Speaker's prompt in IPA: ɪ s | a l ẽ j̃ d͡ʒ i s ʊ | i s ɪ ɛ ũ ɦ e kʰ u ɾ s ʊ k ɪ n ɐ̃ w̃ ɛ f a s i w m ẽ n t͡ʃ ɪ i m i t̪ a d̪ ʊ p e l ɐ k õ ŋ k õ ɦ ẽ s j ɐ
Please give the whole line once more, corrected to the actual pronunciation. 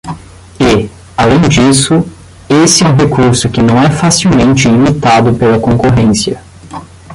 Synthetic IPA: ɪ | a l ẽ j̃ d͡ʒ i s ʊ | e s ɪ ɛ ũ ɦ e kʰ u ɾ s ʊ k ɪ n ɐ̃ w̃ ɛ f a s i w m ẽ n t͡ʃ ɪ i m i t̪ a d̪ ʊ p e l ɐ k õ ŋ k o ɦ ẽ s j ɐ

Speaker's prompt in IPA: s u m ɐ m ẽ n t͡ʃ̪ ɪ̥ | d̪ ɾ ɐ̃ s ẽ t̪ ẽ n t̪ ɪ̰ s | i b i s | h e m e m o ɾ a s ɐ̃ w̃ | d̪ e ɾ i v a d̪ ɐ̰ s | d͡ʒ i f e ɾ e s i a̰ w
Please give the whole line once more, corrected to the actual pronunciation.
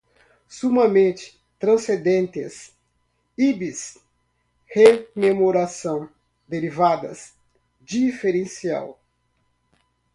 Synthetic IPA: s u m ɐ m ẽ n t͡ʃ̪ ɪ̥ | t̪ ɾ ɐ̃ s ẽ d̪ ẽ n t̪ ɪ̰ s | i b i s | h e m e m o ɾ a s ɐ̃ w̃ | d̪ e ɾ i v a d̪ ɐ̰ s | d͡ʒ i f e ɾ ẽ s i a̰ w

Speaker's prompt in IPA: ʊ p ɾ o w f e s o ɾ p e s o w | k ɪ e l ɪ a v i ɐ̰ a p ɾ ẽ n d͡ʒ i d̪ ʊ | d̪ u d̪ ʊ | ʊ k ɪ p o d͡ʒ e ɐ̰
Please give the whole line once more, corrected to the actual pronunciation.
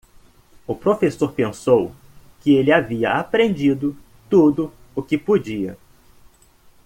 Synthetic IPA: ʊ p ɾ o f e s o ɾ p ẽ s o w | k ɪ e l ɪ a v i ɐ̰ a p ɾ ẽ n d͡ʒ i d̪ ʊ | t̪ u d̪ ʊ | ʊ k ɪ p o d͡ʒ i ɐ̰

